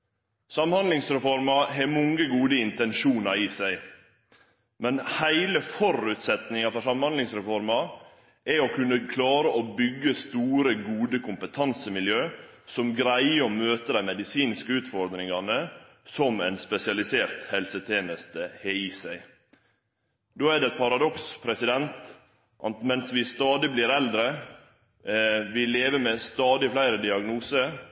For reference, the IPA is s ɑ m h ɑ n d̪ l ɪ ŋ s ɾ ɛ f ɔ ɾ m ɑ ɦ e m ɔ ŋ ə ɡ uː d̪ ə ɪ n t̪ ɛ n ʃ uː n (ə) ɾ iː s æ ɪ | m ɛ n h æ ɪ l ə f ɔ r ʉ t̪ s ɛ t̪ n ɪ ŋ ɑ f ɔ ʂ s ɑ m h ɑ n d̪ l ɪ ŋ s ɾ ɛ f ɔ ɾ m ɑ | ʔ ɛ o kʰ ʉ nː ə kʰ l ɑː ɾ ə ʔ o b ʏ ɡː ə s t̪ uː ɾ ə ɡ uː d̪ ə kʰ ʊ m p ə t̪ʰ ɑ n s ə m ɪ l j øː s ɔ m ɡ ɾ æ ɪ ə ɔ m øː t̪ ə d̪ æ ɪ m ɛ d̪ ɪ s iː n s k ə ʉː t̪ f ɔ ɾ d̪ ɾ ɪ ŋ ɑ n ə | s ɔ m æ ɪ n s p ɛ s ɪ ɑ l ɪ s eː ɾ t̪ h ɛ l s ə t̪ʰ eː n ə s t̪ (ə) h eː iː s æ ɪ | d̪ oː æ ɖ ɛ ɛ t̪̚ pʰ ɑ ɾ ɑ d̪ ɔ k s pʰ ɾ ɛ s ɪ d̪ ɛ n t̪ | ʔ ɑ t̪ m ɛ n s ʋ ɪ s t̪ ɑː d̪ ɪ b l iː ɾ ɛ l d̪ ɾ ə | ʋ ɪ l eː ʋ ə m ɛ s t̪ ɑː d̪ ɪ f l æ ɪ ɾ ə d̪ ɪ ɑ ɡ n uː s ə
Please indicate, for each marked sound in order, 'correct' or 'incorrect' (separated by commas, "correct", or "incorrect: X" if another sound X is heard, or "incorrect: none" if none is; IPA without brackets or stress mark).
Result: incorrect: ɑ, correct